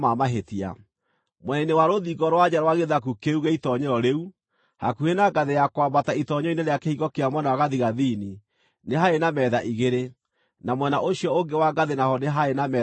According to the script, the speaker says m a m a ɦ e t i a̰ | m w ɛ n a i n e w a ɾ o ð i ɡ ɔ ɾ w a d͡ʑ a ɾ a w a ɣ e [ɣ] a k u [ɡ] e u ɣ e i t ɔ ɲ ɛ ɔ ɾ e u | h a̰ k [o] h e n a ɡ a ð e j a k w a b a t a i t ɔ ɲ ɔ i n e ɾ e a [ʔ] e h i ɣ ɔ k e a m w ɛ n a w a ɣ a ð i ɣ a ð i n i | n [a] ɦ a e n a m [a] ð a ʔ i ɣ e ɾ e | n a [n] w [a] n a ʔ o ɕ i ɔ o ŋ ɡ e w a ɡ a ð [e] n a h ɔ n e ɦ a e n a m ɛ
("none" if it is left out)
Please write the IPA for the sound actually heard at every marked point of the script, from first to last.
ð, k, u, k, e, ɛ, m, ɛ, e

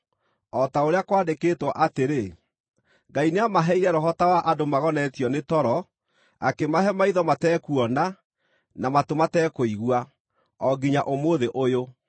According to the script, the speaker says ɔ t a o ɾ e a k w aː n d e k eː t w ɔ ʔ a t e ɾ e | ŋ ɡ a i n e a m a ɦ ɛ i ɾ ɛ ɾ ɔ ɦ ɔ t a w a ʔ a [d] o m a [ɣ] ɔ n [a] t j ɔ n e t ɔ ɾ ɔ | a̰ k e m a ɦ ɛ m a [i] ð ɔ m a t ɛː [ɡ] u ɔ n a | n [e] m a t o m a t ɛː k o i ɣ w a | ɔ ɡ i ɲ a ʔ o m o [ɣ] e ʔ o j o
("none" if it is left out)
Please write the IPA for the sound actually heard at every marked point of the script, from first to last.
d, ɣ, ɛ, i, k, a, ð

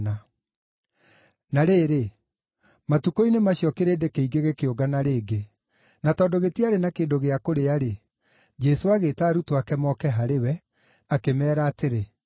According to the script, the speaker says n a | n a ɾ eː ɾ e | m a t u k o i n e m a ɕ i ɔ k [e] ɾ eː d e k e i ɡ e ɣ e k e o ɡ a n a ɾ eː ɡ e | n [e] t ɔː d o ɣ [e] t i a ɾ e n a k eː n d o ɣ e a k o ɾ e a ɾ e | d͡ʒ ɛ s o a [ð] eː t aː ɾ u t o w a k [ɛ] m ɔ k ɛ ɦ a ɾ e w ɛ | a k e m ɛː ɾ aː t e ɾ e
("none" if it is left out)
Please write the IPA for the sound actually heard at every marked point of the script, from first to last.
e, a, e, ɣ, ɛ

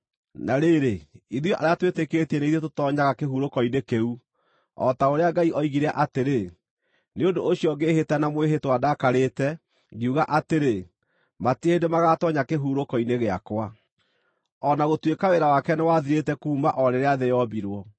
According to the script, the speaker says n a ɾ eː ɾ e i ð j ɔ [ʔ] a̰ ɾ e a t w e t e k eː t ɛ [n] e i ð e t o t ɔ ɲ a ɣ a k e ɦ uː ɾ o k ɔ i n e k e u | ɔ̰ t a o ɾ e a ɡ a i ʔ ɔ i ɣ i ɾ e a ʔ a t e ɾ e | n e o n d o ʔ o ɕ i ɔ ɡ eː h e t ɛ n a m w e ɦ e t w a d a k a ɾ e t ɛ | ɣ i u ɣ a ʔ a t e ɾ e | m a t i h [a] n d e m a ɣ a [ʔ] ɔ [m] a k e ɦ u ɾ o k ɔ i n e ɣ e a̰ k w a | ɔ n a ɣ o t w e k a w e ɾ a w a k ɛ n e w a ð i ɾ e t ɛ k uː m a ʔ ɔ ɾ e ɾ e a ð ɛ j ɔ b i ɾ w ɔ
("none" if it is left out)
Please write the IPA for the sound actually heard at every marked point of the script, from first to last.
ʔ, n, e, t, ɲ

